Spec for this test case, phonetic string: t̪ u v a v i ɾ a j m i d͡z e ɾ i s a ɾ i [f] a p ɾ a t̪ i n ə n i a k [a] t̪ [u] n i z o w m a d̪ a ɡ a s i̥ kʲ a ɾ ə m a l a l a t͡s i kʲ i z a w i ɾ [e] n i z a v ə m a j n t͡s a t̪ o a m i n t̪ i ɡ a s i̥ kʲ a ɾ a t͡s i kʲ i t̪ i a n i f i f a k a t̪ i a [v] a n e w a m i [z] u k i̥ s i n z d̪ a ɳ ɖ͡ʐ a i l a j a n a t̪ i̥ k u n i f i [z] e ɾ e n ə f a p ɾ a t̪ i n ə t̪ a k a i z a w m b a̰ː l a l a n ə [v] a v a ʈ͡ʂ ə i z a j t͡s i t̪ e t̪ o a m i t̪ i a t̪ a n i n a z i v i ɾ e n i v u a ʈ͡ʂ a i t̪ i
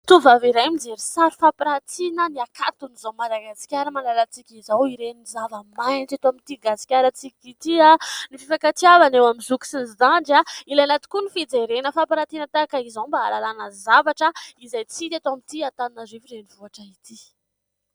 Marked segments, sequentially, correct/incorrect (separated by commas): correct, correct, correct, correct, correct, correct, incorrect, incorrect